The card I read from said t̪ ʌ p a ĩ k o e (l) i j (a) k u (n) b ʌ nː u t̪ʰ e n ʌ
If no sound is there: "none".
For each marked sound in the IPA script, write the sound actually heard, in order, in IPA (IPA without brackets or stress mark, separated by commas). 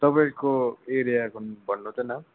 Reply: ɾ, a, n